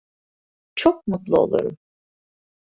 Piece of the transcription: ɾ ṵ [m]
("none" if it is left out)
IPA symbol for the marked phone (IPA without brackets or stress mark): m